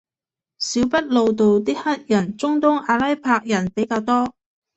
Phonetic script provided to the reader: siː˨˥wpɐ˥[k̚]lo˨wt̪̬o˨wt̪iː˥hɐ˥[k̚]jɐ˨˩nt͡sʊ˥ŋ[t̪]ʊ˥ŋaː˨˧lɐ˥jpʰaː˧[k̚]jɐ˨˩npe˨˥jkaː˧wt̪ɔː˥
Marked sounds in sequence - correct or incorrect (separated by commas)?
incorrect, incorrect, correct, correct